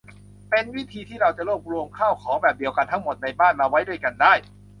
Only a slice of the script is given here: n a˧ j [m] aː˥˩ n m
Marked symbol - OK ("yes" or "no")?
no